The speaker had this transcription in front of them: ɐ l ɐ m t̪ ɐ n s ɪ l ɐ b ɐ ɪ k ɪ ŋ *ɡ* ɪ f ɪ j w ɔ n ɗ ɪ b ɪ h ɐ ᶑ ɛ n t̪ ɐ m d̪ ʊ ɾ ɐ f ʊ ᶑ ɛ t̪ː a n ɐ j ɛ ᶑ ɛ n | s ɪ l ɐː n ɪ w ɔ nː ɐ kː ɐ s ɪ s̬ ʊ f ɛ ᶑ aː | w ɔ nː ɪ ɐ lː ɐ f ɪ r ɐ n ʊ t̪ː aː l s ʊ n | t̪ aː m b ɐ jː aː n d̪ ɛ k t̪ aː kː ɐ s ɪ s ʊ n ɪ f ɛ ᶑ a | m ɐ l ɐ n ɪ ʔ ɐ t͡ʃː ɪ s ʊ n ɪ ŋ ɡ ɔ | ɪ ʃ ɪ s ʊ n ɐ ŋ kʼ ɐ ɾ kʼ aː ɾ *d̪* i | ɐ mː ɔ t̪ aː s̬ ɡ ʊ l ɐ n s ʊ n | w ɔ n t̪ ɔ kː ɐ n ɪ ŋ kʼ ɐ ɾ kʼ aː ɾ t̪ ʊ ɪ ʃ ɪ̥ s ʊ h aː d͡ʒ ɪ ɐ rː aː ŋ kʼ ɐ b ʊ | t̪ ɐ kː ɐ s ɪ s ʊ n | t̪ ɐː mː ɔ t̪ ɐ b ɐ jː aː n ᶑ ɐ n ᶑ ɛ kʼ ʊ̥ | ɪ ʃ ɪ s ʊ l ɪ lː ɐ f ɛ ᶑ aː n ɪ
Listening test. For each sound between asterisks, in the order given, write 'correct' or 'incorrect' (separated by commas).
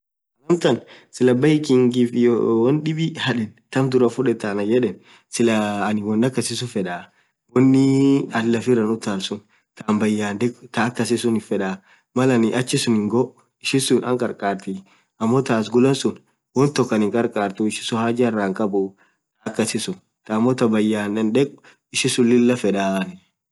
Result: correct, incorrect